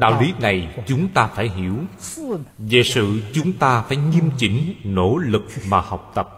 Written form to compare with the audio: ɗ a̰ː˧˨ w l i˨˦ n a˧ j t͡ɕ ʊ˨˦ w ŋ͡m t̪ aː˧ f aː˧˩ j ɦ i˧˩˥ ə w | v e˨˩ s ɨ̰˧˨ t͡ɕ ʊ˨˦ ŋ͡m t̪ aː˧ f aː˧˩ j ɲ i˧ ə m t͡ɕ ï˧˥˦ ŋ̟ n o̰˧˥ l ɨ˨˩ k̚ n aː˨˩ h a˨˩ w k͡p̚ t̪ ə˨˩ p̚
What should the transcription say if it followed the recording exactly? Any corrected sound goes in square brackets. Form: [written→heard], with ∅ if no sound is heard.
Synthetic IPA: ɗ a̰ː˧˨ w l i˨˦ n [a˧→a˨˩] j t͡ɕ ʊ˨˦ [w→∅] ŋ͡m t̪ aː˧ f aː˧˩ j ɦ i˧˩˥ ə w | v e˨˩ s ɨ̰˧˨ t͡ɕ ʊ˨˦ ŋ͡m t̪ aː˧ f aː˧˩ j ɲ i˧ ə m t͡ɕ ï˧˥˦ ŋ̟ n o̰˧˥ l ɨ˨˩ k̚ [n→m] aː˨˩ h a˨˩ w k͡p̚ t̪ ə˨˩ p̚